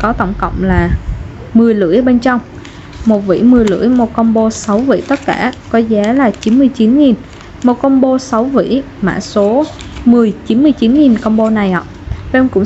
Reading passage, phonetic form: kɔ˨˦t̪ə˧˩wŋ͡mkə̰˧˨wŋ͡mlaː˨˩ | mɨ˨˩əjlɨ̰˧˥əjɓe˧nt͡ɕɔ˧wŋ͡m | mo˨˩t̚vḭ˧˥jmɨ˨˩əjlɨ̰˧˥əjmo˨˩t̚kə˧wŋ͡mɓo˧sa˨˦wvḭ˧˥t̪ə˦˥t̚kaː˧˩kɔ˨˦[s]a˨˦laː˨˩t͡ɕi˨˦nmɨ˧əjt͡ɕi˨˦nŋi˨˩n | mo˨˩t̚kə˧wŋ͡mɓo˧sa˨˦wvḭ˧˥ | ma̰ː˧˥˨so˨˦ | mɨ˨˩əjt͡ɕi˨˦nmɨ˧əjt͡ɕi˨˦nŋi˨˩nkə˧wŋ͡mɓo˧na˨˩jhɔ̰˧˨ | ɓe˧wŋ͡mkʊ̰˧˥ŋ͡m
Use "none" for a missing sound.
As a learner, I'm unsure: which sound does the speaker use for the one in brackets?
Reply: z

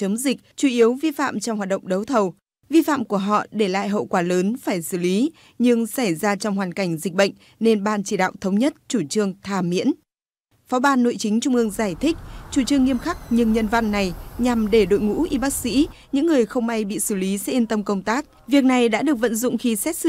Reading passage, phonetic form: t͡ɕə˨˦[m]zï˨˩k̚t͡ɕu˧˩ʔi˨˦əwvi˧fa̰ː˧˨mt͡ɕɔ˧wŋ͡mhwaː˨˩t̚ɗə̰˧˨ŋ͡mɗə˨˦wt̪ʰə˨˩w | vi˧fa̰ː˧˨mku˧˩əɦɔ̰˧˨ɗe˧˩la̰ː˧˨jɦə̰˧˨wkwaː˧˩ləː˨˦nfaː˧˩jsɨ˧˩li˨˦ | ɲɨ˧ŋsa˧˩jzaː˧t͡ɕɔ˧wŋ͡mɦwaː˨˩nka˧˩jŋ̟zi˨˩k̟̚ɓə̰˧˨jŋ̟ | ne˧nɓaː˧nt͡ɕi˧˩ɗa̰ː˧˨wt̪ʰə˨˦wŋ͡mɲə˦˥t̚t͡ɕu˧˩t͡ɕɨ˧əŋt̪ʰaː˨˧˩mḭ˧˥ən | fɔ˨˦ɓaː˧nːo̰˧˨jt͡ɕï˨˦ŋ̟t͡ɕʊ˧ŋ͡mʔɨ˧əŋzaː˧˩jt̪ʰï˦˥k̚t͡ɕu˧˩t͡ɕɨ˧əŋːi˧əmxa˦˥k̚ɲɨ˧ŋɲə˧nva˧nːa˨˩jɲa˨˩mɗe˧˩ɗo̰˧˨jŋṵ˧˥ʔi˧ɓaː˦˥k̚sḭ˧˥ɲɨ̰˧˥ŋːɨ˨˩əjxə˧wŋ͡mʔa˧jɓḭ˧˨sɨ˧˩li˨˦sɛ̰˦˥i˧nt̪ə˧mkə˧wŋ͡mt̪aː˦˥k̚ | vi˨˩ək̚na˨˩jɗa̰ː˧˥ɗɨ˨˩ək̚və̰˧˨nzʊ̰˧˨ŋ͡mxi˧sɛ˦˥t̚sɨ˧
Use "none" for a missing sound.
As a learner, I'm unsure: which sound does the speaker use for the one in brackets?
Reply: m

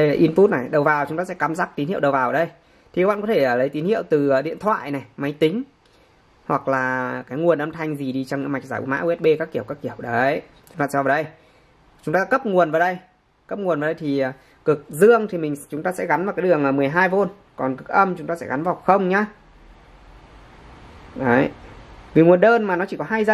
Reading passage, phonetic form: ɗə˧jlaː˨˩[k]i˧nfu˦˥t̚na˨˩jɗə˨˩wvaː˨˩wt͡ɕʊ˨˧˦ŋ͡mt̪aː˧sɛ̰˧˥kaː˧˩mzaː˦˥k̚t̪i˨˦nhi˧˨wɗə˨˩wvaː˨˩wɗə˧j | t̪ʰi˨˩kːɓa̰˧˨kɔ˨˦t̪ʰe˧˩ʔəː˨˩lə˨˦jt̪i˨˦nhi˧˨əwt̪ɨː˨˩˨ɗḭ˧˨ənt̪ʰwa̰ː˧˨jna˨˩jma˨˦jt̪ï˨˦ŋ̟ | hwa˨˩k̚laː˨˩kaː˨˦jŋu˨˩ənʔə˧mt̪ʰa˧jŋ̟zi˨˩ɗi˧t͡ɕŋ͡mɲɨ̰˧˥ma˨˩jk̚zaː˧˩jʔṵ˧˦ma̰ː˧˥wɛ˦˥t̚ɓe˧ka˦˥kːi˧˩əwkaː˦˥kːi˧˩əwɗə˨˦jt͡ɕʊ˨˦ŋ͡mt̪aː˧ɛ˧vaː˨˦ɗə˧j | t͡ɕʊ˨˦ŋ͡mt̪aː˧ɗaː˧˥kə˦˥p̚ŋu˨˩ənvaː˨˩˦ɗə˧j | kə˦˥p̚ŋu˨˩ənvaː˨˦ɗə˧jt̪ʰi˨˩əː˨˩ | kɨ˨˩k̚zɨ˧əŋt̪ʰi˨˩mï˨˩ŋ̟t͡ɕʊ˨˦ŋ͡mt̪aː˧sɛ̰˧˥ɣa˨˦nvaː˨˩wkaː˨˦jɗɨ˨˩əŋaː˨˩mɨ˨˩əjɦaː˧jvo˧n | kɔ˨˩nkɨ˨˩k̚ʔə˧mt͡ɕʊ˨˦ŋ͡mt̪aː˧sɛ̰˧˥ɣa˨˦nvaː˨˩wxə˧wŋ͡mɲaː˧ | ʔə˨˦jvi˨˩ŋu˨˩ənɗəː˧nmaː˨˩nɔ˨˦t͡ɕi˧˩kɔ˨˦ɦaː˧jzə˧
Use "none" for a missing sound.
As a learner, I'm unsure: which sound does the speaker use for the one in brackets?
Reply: ʔ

